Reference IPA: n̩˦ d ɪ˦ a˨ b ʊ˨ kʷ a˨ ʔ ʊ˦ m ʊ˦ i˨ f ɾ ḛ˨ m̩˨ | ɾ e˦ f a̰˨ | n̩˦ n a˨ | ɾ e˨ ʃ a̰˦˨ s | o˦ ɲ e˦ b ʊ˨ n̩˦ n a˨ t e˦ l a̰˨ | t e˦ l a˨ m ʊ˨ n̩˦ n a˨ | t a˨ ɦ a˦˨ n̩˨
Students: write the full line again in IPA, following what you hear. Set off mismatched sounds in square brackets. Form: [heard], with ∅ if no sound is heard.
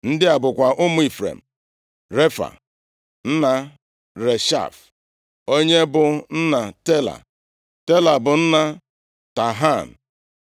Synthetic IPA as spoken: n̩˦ d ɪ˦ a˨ b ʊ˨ kʷ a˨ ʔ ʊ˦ m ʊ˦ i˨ f ɾ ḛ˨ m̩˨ | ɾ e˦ f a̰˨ | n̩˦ n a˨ | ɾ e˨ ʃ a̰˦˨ [f] | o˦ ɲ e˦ b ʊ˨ n̩˦ n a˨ t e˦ l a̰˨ | t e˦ l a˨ [b] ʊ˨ n̩˦ n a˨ | t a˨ ɦ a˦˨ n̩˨